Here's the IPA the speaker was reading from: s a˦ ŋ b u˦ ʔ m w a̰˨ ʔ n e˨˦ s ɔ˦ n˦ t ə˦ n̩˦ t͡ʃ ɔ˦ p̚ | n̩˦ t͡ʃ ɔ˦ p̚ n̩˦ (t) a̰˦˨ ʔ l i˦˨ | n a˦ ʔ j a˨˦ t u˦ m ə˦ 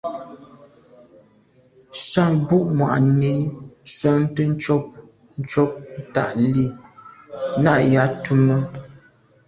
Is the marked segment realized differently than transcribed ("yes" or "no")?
no